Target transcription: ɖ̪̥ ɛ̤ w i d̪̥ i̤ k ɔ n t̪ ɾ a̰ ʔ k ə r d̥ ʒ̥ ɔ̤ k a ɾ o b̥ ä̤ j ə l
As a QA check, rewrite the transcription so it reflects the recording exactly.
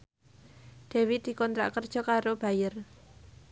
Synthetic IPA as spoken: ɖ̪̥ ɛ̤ w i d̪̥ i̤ k ɔ n t̪ ɾ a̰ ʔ k ə r d̥ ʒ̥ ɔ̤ k a ɾ o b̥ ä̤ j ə r